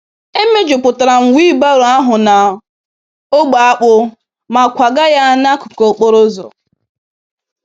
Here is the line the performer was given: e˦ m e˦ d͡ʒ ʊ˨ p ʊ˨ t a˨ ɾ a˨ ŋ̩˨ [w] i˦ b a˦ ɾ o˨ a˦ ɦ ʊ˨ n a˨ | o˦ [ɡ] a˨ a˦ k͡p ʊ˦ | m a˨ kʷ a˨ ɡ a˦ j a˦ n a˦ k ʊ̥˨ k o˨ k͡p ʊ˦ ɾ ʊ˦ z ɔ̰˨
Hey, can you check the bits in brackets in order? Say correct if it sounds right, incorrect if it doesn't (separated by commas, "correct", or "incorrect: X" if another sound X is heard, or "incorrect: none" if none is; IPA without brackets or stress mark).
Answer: correct, incorrect: ɡ͡b